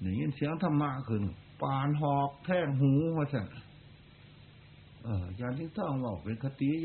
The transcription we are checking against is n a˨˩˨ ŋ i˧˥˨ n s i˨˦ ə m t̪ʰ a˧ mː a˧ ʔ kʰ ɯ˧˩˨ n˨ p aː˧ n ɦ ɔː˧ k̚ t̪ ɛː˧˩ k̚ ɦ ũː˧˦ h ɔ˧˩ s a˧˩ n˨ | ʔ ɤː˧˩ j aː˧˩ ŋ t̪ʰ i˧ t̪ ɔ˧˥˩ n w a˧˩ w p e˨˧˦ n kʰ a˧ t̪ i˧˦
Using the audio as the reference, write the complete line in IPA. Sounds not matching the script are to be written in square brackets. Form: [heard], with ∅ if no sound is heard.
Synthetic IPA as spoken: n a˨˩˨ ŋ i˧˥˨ n s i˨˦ ə [ŋ] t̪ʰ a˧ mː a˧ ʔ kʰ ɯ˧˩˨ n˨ p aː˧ n ɦ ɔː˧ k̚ [t̪ʰ] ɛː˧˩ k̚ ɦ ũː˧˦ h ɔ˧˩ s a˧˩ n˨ | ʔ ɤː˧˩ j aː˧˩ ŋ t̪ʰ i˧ t̪ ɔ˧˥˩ [ŋ] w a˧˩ w p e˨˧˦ n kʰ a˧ t̪ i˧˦